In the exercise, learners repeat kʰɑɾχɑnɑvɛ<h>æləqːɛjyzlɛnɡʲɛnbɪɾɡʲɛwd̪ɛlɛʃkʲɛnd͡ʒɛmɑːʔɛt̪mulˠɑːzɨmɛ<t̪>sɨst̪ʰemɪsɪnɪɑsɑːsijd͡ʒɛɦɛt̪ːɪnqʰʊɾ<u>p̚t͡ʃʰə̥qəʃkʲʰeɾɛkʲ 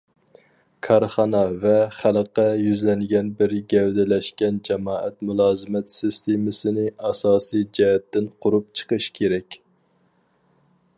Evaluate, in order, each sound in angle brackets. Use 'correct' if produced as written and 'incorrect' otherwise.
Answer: incorrect, correct, correct

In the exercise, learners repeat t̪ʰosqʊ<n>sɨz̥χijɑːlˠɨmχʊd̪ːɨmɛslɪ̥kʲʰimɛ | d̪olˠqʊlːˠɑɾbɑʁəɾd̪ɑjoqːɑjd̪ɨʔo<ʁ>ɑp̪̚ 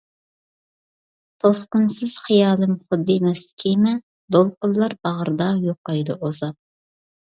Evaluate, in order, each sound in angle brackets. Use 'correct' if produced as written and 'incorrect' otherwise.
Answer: correct, incorrect

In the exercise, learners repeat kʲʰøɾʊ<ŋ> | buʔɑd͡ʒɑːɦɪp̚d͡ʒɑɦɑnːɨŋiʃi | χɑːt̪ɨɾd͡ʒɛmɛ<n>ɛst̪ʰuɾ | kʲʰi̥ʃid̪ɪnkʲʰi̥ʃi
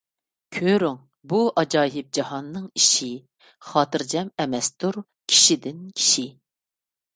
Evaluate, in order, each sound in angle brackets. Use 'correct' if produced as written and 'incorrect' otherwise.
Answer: correct, incorrect

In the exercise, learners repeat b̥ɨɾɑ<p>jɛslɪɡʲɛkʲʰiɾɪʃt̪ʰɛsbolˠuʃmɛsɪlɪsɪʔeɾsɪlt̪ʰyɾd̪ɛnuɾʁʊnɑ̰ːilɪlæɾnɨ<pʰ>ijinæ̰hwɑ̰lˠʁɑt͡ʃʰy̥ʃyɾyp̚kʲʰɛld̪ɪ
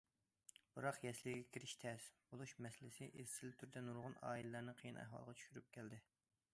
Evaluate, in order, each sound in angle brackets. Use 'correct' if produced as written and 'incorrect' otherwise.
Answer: incorrect, incorrect

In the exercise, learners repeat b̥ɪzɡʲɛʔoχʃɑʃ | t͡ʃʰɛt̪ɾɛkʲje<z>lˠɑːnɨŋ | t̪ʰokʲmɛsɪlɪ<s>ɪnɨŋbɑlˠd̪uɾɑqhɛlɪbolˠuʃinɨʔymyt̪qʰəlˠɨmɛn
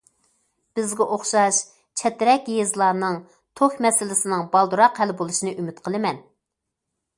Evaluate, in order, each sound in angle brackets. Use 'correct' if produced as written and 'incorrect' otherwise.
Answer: correct, correct

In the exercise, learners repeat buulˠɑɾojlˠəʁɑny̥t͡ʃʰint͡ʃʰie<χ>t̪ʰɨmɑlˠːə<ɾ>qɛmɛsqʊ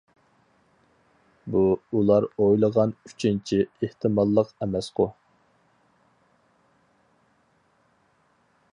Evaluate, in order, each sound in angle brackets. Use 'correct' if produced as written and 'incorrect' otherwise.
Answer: incorrect, incorrect

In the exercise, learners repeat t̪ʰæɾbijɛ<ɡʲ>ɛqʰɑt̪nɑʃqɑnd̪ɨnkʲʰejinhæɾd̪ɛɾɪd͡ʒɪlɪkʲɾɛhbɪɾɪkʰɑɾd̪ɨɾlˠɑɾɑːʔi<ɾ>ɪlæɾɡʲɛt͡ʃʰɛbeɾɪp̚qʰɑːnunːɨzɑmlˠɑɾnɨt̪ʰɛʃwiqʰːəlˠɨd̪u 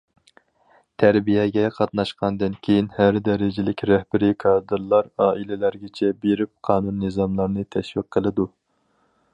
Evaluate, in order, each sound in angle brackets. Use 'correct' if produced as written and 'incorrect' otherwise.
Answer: correct, incorrect

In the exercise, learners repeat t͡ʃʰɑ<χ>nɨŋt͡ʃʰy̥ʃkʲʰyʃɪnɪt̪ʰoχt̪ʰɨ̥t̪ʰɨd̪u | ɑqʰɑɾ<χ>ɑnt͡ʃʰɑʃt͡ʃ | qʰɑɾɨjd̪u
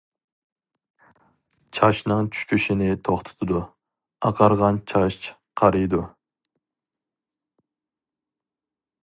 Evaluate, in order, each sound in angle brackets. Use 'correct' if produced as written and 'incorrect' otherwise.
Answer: incorrect, incorrect

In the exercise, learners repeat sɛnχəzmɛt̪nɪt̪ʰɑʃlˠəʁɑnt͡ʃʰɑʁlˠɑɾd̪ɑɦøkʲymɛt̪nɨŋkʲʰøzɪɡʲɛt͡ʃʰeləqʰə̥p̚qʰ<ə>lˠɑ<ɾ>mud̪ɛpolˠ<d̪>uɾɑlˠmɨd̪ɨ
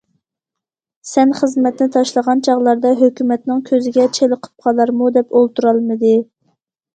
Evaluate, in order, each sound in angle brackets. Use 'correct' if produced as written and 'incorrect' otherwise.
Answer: incorrect, correct, incorrect

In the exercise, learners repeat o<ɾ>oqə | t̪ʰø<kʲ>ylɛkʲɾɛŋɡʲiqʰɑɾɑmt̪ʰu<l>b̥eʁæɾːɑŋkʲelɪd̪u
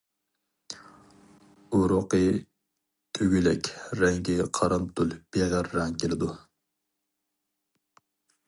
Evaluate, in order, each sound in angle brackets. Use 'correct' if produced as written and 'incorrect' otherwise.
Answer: correct, incorrect, correct

